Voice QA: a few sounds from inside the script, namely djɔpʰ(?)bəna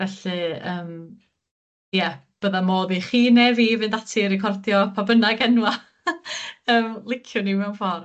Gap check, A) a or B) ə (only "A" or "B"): A